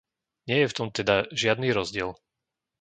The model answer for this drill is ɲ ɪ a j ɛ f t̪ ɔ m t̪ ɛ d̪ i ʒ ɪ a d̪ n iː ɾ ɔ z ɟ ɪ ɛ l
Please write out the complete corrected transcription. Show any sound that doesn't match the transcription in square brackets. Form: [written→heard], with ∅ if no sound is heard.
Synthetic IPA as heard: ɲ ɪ [a→ɛ] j ɛ f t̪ ɔ m t̪ ɛ d̪ [i→a] ʒ ɪ a d̪ n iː ɾ ɔ z ɟ ɪ ɛ l